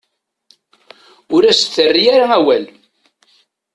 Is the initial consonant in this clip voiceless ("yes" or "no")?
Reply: no